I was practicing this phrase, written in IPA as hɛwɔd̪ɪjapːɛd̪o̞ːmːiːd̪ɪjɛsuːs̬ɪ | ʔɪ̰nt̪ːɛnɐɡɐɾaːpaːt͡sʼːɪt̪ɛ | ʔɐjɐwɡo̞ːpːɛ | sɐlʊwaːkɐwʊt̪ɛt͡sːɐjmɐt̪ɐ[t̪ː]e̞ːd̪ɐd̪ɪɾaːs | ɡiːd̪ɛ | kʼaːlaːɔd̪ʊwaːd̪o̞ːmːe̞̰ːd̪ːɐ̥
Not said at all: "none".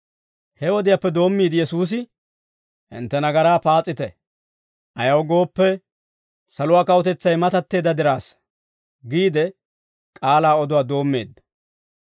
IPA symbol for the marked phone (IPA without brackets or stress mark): t̪ː